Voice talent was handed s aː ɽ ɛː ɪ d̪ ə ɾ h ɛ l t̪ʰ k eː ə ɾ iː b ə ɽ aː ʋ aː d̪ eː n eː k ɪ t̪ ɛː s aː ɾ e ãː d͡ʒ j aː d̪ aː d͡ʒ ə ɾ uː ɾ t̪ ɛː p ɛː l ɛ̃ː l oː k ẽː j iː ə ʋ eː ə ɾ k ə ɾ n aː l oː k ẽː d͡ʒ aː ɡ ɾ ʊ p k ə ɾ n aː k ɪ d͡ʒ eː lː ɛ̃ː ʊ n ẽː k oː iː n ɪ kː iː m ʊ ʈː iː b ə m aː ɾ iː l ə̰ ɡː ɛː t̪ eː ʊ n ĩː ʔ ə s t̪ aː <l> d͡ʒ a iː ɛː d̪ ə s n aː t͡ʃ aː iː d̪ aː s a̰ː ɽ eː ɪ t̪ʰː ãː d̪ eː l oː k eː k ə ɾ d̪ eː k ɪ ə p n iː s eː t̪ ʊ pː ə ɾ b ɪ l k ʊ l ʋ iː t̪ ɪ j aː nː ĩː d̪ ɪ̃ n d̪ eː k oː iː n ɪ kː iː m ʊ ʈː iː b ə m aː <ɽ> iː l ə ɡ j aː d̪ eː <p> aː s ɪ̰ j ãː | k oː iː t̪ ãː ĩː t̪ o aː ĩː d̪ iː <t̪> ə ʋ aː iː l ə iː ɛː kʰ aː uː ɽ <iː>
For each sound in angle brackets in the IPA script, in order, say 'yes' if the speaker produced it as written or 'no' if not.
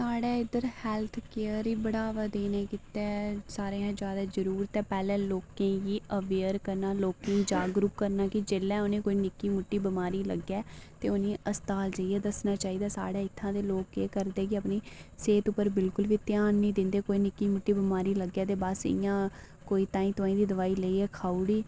yes, no, no, no, yes

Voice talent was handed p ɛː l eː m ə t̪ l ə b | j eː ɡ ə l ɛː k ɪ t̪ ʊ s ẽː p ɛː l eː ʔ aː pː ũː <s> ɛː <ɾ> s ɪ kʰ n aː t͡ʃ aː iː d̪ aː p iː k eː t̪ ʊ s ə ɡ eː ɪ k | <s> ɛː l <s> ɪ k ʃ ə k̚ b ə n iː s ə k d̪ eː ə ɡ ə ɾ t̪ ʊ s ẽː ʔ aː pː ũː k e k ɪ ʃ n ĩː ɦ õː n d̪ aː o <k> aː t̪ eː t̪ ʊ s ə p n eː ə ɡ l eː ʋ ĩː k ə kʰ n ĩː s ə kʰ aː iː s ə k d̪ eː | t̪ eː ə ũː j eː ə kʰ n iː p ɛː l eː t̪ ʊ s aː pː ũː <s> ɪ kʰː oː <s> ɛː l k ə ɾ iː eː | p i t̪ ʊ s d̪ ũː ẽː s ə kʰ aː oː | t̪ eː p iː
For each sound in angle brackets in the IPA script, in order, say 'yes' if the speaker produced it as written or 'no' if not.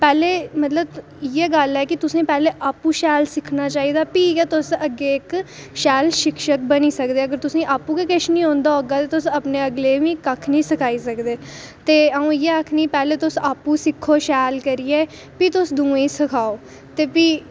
no, no, no, no, no, yes, no

